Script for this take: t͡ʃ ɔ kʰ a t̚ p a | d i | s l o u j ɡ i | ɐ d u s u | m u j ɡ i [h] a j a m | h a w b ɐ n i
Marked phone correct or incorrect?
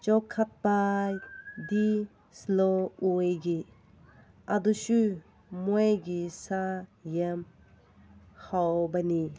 incorrect: s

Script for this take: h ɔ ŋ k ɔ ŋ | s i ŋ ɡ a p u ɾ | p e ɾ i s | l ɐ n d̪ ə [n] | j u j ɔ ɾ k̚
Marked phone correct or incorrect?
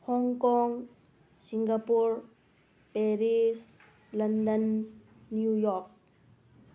incorrect: nː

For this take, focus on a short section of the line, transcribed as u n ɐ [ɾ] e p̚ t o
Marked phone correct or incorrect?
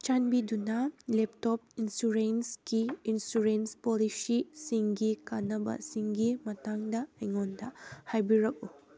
incorrect: l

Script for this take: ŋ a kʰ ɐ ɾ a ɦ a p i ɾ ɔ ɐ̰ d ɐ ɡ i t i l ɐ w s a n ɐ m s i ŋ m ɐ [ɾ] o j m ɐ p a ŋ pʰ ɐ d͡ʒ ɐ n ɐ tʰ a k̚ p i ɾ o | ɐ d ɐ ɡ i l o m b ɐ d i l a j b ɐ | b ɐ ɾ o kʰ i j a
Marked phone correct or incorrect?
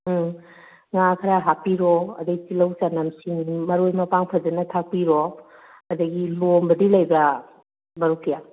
correct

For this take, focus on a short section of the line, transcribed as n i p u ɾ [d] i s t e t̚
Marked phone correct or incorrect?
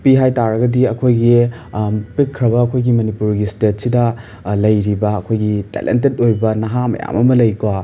incorrect: ɡ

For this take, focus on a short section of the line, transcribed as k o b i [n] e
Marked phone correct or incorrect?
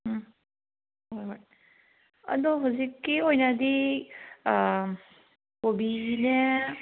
correct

